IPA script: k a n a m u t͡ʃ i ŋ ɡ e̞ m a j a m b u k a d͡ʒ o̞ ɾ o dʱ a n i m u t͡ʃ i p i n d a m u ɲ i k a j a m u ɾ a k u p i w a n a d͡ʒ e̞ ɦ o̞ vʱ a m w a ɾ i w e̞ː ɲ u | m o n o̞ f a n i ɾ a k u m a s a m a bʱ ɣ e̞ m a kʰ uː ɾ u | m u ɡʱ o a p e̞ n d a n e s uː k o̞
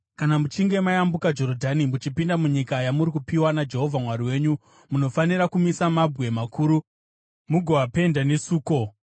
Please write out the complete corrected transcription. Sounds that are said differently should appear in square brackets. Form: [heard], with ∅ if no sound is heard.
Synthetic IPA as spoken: k a n a m u t͡ʃ i ŋ ɡ e̞ m a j a m b u k a d͡ʒ o̞ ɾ o dʱ a n i m u t͡ʃ i p i n d a m u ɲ i k a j a m u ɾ [i] k u p i w a n a d͡ʒ e̞ ɦ o̞ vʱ a m w a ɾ i w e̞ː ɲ u | m [u] n o̞ f a n i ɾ a k u m [i] s a m a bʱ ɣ e̞ m a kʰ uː ɾ u | m u ɡʱ o a p e̞ n d a n e s uː k o̞